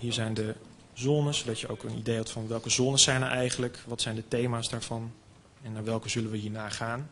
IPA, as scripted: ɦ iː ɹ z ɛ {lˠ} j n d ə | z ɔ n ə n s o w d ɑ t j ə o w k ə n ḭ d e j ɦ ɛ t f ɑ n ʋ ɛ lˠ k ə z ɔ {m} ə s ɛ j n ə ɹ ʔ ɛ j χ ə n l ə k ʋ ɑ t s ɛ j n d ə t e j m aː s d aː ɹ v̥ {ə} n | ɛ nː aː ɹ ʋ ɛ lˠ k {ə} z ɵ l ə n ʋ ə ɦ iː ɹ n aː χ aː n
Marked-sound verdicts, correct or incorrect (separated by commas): incorrect, incorrect, incorrect, correct